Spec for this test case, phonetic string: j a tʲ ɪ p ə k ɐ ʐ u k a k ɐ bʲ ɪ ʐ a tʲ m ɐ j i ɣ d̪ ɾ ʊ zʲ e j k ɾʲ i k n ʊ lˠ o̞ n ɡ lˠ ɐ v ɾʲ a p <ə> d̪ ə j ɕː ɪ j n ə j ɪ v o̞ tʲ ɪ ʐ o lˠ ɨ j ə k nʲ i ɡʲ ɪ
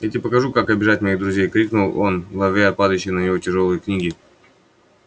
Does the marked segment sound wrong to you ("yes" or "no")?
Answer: yes